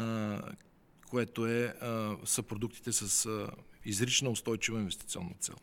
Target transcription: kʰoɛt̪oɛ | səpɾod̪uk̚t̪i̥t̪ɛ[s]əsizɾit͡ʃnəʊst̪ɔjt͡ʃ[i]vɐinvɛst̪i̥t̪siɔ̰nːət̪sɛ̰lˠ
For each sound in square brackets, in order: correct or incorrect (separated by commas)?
correct, correct